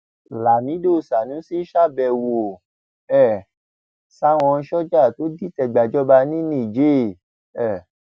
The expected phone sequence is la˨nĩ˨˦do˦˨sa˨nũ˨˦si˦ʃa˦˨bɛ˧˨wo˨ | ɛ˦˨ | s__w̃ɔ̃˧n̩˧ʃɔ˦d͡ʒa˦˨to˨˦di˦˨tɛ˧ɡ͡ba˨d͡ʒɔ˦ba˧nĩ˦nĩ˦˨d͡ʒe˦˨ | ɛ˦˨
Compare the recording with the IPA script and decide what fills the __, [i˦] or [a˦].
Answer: a˦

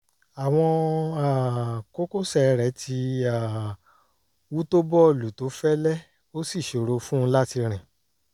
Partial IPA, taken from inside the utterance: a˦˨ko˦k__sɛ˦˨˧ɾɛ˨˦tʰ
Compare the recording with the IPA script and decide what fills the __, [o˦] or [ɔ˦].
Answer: o˦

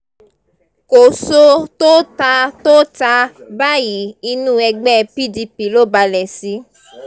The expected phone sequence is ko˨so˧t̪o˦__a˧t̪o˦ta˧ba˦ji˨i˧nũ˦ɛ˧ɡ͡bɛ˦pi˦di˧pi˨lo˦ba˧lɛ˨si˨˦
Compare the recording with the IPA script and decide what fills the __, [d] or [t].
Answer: t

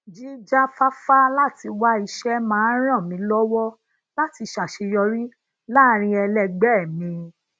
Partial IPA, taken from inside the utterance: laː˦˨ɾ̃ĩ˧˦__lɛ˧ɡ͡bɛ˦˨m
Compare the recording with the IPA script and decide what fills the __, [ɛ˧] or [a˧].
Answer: ɛ˧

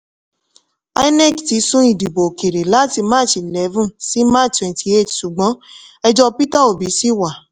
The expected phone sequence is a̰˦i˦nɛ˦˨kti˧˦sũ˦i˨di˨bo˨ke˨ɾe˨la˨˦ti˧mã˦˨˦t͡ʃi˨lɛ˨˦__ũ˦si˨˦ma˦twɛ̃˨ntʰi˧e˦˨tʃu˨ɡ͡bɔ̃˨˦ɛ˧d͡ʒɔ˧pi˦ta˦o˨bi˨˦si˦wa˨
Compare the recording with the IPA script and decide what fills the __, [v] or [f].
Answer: v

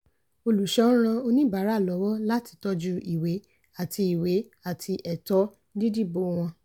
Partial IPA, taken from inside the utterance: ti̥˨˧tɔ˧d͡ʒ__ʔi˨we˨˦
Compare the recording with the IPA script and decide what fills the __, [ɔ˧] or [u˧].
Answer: u˧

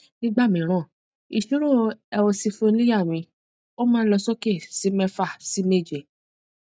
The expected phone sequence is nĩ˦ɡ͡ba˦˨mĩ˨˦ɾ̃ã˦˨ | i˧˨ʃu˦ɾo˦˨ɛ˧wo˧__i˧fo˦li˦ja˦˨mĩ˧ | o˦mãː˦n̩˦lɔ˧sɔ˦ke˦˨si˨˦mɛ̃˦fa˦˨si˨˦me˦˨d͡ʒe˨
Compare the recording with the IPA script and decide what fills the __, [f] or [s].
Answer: s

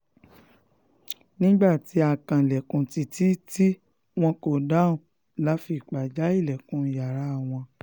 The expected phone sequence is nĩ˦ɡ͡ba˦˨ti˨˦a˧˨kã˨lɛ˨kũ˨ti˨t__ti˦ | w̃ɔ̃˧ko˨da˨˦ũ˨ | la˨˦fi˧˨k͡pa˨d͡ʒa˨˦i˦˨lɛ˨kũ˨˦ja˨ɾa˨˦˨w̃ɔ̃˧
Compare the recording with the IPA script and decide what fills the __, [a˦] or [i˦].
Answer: i˦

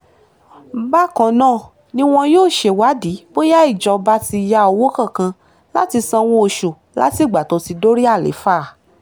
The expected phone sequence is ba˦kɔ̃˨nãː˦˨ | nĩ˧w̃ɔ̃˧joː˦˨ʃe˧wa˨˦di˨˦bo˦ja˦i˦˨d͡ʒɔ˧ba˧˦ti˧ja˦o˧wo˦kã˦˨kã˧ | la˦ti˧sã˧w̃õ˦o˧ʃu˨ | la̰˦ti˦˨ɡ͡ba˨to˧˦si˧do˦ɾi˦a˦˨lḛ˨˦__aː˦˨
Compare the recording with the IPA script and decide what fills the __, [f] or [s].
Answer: f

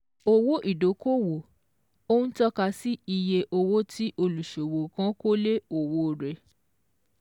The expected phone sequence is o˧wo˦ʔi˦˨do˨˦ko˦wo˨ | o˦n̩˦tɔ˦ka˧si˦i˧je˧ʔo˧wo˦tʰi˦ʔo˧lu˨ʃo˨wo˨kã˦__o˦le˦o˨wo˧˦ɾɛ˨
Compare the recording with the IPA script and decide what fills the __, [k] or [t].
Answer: k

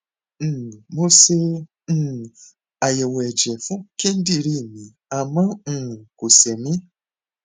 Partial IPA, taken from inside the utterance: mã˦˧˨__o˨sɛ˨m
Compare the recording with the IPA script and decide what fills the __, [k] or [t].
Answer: k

